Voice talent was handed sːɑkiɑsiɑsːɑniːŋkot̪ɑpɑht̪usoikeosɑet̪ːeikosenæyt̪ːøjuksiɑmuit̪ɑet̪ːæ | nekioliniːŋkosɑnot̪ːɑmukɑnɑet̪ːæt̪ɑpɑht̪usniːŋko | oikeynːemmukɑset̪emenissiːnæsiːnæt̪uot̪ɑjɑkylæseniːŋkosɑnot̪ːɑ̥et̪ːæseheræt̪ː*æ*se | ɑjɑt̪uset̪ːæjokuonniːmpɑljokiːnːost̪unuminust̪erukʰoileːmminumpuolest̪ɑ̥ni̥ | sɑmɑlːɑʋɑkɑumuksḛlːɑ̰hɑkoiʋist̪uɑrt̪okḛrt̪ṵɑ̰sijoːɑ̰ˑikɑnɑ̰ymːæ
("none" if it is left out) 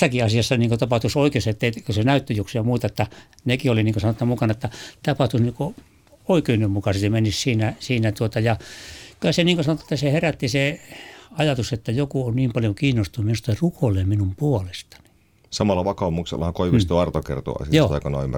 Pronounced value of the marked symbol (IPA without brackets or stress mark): i